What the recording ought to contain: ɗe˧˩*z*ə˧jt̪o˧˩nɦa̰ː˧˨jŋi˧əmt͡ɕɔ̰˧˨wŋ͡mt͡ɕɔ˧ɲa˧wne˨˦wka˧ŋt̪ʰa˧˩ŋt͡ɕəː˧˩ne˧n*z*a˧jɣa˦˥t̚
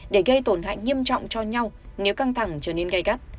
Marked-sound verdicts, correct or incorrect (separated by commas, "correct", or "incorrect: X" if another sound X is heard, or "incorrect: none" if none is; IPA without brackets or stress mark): incorrect: ɣ, incorrect: ɣ